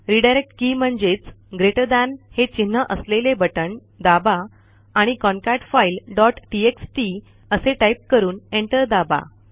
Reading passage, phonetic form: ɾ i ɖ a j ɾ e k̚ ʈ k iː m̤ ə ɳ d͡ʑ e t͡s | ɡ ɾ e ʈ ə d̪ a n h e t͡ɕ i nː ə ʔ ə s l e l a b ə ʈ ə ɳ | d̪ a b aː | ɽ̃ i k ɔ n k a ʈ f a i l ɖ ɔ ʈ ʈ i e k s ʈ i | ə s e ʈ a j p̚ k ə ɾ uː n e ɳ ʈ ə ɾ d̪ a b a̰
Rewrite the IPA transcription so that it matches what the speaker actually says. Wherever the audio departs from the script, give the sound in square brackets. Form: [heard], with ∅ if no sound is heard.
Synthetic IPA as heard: ɾ i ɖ a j ɾ e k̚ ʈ k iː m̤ ə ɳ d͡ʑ e t͡s | ɡ ɾ e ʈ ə d̪ a n h e t͡ɕ i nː ə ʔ ə s l e l [e] b ə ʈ ə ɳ | d̪ a b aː | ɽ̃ i k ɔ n k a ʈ f a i l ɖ ɔ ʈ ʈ i e k s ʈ i | ə s e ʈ a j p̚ k ə ɾ uː n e ɳ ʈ ə ɾ d̪ a b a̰